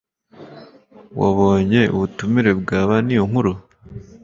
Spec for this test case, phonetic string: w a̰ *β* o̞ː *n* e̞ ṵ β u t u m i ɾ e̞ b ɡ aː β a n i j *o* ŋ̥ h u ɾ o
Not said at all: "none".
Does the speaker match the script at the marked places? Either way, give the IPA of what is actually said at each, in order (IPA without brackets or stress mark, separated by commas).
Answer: β, ɲ, o